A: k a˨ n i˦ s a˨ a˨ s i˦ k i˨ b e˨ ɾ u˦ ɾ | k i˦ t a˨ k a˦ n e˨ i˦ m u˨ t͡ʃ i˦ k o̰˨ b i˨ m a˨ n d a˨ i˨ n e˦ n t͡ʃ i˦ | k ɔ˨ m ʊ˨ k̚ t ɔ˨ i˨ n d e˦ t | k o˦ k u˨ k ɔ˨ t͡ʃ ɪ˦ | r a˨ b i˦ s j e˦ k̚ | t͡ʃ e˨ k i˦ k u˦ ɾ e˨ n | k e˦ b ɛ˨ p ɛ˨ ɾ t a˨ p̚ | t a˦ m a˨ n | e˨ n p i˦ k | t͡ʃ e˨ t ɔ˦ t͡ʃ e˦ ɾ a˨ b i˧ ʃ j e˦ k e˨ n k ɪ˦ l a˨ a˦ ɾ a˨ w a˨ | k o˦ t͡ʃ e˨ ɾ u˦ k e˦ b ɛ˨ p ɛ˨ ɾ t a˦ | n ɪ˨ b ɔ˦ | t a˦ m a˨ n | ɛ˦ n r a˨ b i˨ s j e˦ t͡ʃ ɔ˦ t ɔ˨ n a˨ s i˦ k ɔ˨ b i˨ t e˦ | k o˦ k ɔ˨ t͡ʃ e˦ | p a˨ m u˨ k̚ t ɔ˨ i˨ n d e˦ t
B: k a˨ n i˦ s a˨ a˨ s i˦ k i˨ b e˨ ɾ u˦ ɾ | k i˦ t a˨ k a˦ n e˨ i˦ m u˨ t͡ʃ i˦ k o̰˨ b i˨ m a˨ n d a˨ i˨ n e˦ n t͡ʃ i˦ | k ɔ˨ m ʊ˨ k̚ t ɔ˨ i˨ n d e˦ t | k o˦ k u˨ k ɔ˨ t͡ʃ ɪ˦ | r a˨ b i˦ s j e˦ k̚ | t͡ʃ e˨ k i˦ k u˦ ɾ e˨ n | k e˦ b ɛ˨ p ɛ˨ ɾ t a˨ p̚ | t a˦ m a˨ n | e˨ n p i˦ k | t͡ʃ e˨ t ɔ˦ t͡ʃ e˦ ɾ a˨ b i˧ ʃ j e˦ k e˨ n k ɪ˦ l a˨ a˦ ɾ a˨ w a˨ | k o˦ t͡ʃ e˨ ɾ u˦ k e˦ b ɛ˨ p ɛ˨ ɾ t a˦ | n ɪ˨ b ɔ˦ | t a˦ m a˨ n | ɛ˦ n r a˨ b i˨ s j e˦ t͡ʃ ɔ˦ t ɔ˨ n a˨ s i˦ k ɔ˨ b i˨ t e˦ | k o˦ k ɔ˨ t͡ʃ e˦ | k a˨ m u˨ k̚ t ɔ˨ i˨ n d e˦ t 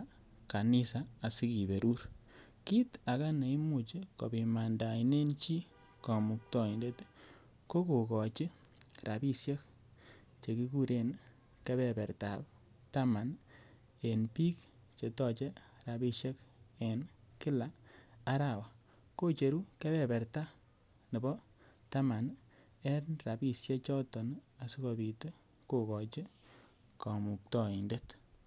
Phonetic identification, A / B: B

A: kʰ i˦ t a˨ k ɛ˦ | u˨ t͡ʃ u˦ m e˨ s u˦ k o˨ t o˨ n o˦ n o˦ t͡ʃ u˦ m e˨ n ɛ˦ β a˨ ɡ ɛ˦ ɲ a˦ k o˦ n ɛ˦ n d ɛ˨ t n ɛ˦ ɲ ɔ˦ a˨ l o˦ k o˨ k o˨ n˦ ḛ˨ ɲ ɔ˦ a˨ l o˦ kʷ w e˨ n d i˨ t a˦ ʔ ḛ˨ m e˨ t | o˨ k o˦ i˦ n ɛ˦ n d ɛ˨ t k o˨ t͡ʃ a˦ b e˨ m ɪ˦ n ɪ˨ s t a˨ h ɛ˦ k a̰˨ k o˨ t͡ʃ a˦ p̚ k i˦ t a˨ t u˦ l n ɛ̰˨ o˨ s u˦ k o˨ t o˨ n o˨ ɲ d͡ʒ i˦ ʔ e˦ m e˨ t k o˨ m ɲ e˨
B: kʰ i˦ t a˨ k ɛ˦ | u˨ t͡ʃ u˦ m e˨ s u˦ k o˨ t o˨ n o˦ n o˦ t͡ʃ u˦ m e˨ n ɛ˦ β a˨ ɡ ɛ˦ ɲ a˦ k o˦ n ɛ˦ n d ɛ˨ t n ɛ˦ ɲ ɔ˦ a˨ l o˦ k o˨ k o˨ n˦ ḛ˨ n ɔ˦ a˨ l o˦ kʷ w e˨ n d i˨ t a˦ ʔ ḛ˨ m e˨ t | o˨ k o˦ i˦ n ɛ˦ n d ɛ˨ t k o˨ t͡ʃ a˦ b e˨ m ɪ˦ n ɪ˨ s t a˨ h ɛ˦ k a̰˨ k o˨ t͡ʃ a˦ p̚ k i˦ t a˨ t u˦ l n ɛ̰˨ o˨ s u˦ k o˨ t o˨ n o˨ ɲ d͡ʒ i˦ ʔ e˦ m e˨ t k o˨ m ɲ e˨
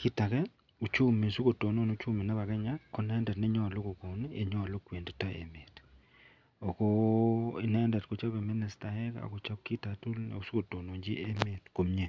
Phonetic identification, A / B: A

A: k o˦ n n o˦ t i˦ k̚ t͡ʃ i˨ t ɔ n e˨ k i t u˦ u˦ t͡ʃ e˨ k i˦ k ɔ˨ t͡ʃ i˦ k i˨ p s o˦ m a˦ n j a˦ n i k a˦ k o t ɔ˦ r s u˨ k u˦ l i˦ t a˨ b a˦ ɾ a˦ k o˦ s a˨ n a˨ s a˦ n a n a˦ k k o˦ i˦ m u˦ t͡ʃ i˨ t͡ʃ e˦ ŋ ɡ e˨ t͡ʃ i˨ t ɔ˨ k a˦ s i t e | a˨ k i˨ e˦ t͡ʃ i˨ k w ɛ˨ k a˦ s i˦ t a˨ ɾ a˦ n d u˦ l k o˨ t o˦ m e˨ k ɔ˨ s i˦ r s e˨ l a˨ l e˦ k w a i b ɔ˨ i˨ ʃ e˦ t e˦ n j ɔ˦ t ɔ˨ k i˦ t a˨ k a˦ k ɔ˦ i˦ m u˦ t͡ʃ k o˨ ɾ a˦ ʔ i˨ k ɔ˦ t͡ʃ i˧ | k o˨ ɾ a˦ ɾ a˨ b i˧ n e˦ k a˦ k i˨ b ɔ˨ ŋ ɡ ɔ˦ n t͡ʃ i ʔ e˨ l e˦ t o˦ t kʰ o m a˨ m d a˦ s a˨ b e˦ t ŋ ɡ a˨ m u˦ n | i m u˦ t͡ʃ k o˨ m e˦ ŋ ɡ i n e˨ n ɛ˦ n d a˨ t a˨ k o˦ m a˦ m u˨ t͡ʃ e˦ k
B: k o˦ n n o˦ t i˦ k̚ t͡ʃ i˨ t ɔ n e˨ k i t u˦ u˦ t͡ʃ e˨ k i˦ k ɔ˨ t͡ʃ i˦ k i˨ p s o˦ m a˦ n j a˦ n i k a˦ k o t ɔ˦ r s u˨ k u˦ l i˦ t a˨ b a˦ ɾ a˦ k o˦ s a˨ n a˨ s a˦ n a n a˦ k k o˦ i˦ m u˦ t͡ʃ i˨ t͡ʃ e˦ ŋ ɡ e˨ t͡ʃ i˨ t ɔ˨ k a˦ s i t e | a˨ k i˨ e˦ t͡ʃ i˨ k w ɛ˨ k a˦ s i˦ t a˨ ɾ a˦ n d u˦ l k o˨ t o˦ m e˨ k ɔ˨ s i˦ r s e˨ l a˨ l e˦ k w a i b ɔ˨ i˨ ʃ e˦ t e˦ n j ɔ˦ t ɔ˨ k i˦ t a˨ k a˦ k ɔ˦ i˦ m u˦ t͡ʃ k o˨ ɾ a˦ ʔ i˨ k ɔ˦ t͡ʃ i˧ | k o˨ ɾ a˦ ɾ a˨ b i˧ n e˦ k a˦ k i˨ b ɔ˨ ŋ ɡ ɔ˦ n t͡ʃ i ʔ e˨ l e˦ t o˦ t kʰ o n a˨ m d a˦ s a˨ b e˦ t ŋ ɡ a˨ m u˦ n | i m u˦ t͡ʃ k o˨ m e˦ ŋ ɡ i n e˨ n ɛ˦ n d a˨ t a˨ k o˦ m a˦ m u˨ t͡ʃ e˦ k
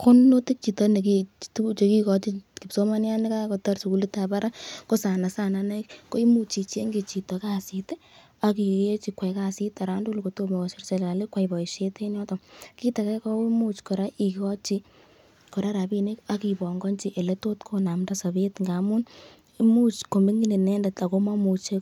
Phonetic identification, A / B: B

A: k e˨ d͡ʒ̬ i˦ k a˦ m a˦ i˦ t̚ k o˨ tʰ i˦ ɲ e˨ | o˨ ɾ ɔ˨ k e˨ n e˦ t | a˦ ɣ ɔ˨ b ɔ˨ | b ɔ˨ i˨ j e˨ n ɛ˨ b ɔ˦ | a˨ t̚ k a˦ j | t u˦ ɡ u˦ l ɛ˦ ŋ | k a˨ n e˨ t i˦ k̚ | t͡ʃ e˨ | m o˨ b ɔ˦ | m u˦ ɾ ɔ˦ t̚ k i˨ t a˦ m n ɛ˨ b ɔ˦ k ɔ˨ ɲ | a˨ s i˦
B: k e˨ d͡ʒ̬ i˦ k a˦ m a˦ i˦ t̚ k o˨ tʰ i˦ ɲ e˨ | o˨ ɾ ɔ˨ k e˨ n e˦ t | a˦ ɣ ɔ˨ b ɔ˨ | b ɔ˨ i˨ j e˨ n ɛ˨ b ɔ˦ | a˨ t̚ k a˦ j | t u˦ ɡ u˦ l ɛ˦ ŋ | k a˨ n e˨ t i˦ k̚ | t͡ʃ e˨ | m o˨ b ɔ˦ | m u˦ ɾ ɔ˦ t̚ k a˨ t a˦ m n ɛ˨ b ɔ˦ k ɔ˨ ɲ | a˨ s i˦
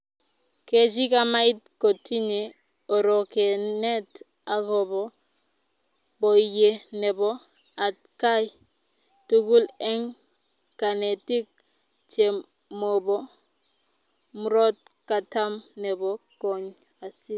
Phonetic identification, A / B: B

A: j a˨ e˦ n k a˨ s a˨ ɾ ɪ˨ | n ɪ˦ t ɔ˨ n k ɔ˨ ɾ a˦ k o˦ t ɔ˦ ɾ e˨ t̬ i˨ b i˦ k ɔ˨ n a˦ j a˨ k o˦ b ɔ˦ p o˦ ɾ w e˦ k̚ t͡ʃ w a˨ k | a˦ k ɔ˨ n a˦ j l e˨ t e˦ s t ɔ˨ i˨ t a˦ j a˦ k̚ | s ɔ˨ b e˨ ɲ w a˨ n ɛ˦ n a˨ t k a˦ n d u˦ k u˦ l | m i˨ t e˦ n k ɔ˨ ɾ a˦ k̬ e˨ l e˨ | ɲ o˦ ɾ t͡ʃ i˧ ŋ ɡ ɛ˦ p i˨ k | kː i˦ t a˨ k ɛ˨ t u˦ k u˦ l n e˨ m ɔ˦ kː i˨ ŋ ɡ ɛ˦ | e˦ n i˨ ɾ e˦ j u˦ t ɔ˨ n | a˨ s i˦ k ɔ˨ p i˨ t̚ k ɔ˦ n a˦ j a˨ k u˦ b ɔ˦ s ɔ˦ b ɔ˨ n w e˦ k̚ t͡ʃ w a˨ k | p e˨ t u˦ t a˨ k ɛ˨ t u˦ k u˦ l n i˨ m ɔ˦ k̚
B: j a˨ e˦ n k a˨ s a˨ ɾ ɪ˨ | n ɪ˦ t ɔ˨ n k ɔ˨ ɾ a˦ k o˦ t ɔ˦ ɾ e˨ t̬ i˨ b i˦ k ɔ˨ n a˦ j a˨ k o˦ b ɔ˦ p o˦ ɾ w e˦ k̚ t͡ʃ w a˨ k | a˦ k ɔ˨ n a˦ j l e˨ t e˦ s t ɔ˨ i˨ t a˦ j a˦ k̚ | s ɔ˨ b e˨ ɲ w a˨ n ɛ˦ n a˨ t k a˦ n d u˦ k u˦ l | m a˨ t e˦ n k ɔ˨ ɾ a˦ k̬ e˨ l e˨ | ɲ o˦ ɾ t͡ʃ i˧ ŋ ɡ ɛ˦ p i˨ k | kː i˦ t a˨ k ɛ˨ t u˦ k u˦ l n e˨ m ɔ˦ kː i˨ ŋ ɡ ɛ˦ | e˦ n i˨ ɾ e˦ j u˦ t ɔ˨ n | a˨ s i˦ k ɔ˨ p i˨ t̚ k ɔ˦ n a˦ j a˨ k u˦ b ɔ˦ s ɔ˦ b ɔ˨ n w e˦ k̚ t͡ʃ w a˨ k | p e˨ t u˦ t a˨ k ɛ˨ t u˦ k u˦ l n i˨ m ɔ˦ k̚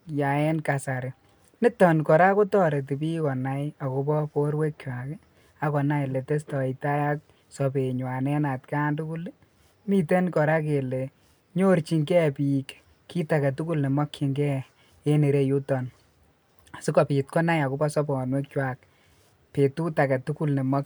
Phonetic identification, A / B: A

